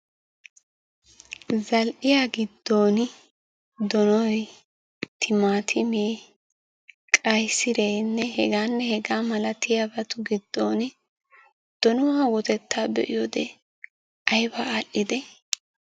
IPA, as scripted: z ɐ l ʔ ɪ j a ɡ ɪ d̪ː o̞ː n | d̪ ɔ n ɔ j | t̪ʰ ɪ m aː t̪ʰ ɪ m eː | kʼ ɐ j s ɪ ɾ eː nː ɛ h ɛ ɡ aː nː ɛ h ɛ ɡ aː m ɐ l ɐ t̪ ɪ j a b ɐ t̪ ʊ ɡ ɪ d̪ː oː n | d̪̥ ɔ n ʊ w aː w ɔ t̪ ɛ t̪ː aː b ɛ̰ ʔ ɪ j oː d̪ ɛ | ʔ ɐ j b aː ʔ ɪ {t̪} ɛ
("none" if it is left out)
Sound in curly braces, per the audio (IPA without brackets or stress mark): d̪